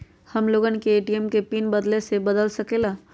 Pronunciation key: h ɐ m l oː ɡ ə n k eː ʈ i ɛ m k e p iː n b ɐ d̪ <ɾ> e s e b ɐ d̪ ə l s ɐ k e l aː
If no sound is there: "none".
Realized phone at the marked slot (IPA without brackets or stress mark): l